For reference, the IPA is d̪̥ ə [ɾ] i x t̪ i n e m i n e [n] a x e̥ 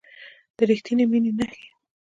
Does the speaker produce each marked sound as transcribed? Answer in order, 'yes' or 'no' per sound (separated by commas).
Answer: yes, yes